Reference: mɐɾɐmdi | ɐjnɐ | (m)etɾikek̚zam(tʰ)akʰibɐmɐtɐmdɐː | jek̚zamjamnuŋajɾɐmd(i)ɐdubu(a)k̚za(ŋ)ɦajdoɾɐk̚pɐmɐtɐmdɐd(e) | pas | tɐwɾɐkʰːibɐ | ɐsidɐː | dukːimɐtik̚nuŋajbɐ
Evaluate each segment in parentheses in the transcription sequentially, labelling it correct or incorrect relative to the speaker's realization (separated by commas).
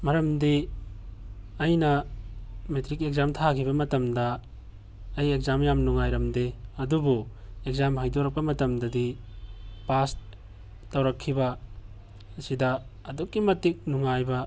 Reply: correct, correct, incorrect, incorrect, incorrect, incorrect